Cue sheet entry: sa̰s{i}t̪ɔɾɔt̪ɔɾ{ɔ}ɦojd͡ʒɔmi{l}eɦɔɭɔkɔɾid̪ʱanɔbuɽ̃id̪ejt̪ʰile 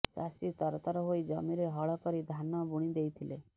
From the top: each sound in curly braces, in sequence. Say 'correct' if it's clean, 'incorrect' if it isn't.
correct, correct, incorrect

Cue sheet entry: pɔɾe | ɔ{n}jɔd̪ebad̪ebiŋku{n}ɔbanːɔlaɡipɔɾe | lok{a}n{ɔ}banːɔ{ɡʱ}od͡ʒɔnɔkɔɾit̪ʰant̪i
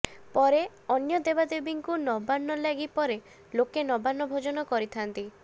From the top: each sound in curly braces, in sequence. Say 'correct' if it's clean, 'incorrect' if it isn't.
correct, correct, incorrect, correct, incorrect

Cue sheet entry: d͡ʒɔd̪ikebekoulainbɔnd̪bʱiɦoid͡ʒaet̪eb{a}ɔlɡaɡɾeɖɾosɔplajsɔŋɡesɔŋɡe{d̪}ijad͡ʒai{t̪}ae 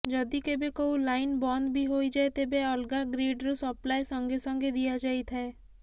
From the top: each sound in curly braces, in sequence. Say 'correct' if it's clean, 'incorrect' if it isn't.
incorrect, correct, incorrect

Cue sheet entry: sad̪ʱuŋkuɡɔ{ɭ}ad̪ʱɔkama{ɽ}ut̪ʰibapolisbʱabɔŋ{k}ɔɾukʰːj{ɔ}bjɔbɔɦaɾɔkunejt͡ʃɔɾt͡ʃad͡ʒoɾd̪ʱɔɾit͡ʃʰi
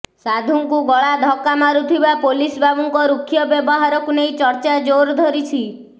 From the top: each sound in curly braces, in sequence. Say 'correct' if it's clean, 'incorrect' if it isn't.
correct, incorrect, correct, correct

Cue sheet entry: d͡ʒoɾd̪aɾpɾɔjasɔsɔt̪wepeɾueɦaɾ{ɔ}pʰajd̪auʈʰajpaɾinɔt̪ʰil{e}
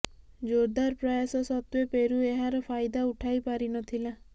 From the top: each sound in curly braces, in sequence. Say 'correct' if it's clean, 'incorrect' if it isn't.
correct, incorrect

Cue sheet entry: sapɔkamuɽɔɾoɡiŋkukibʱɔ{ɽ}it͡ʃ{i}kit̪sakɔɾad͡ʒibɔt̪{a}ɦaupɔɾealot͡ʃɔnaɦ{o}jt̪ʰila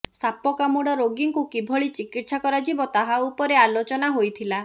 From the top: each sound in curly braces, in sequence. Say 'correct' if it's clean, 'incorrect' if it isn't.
incorrect, correct, correct, correct

